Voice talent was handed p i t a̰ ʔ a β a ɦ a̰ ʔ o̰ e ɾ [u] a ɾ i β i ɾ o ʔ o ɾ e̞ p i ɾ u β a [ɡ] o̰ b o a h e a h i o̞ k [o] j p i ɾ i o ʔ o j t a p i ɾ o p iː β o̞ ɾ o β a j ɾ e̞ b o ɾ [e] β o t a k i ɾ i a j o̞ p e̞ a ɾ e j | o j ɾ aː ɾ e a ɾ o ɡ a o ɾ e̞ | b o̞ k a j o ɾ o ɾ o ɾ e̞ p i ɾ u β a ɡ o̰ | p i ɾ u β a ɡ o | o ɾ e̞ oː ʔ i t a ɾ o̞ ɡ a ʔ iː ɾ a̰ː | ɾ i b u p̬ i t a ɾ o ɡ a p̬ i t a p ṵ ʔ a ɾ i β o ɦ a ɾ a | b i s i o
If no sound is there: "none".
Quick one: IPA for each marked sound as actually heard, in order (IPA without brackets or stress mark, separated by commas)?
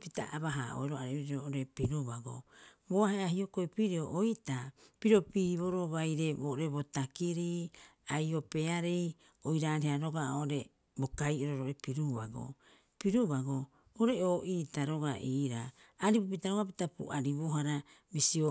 o, ɡ, o, e